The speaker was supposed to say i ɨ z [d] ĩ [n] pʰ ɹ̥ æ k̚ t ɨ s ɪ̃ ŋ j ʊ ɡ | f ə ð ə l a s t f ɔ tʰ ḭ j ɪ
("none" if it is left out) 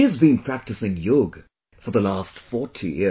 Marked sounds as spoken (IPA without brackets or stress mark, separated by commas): b, n